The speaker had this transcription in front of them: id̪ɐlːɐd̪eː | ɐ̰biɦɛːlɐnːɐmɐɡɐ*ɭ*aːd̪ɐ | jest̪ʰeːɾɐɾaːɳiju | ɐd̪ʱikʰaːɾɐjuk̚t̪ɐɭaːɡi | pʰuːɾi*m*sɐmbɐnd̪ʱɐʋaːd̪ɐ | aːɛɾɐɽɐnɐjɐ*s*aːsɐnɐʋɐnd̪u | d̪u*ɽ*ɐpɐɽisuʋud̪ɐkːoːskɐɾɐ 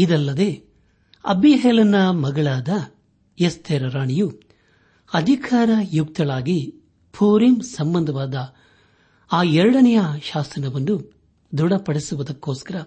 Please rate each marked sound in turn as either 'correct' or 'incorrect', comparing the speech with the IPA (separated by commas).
correct, correct, incorrect, correct